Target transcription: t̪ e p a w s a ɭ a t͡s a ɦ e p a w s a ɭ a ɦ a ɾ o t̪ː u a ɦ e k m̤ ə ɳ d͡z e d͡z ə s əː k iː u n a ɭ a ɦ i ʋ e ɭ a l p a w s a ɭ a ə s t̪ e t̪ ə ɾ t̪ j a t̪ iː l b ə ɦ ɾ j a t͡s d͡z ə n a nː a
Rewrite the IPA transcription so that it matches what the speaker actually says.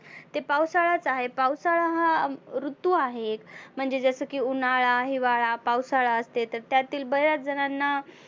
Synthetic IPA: t̪ e p a w s a ɭ a t͡s a ɦ e p a w s a ɭ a ɦ a ɾ u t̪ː u a ɦ e k m̤ ə ɳ d͡z e d͡z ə s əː k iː u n a ɭ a ɦ i ʋ a ɭ a p a w s a ɭ a ə s t̪ e t̪ ə ɾ t̪ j a t̪ iː l b ə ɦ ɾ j a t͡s d͡z ə n a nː a